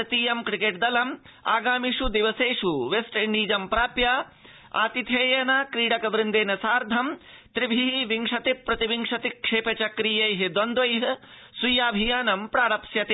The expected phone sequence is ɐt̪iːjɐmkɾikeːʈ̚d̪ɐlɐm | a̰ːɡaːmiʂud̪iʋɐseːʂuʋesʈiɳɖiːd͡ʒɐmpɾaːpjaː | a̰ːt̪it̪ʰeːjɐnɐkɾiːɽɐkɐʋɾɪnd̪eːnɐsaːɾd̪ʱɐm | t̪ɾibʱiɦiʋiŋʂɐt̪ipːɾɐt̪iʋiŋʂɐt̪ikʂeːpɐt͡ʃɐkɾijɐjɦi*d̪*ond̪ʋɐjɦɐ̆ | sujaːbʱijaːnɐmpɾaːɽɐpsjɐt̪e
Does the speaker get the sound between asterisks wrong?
no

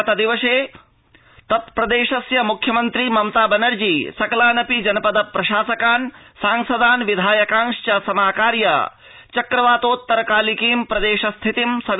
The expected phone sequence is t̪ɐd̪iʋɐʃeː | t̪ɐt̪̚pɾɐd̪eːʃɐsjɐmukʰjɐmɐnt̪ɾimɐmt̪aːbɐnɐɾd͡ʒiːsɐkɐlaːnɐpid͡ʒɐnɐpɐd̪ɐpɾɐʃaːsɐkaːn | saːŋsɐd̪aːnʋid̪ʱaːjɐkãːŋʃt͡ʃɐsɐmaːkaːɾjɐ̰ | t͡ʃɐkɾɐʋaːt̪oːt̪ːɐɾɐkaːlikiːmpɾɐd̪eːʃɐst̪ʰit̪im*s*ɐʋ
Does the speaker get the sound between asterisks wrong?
no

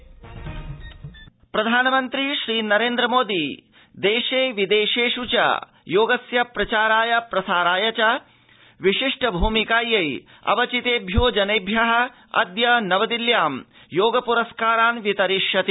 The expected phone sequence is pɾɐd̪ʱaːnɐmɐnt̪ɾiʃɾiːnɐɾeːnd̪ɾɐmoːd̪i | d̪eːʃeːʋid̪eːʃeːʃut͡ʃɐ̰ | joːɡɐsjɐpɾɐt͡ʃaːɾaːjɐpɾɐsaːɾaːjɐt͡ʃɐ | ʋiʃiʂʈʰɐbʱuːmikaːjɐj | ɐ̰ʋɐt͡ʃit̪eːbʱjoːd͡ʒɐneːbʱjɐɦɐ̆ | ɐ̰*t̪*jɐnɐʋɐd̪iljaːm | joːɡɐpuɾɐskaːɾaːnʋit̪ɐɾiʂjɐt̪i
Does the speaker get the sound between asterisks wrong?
yes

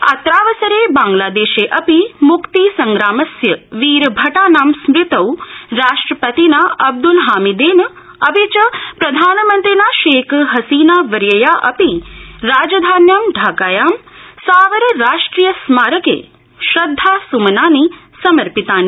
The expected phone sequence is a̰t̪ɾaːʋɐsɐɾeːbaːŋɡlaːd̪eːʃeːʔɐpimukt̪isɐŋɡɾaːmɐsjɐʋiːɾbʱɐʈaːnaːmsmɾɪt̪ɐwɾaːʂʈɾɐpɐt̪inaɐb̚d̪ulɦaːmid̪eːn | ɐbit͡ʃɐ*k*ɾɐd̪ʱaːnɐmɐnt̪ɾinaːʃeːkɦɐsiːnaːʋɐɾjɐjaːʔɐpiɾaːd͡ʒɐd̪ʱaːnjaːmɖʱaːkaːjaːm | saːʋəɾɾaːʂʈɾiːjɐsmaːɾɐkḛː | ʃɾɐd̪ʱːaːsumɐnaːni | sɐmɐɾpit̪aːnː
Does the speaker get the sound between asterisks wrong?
yes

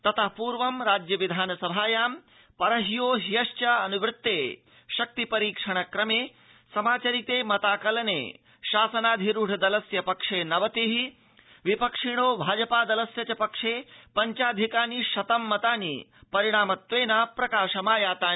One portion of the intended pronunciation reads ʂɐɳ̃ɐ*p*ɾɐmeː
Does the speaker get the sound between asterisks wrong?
yes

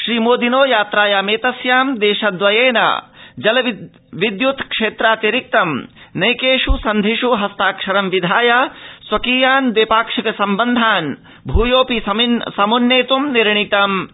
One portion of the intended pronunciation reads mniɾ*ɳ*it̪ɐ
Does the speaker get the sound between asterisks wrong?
no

